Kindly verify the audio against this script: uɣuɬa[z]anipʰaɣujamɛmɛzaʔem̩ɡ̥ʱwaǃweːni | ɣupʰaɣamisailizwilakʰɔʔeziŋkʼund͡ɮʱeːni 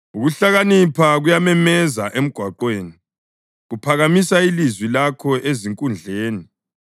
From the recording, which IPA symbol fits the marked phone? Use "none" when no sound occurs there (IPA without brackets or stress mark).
ɣ